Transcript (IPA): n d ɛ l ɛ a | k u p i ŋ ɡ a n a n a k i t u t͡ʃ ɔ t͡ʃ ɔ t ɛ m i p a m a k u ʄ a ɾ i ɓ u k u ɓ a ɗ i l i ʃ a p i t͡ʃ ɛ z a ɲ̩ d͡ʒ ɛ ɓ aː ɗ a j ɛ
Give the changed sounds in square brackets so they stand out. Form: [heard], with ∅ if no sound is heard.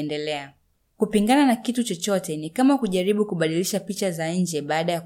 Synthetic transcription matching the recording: n d ɛ l ɛ a | k u p i ŋ ɡ a n a n a k i t u t͡ʃ ɔ t͡ʃ ɔ t ɛ [n] i [k] a m a k u ʄ a ɾ i ɓ u k u ɓ a ɗ i l i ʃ a p i t͡ʃ [a] z a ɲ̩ d͡ʒ ɛ ɓ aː ɗ a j [a]